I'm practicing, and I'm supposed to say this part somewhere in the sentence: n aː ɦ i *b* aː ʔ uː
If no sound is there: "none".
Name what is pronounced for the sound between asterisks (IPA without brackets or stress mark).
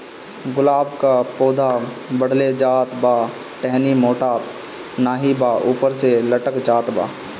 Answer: b